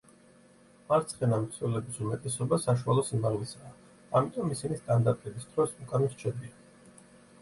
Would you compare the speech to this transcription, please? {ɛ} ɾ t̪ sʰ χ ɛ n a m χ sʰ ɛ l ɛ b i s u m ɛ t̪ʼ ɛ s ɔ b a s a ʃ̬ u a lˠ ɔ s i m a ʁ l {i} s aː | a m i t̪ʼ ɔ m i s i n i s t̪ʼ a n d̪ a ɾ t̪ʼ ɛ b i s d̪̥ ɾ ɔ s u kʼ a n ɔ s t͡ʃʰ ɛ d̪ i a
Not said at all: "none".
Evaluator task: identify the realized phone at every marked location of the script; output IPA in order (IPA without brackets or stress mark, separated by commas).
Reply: a, i